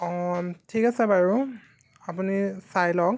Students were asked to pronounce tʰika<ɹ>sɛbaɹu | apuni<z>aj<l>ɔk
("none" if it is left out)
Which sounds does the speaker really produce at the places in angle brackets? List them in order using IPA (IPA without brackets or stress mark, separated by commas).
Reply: none, s, l